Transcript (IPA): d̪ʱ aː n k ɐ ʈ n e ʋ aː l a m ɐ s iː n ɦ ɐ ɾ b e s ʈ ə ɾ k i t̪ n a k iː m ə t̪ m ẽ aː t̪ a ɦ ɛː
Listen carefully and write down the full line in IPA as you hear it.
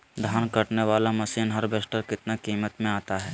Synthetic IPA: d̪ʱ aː n k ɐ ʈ n e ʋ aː l a m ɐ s iː n ɦ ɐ ɾ b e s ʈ ə ɾ k ɪ t̪ n a k iː m ə t̪ m ẽ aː t̪ a ɦ ɛː